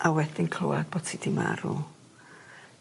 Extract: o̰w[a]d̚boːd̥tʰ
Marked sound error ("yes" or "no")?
no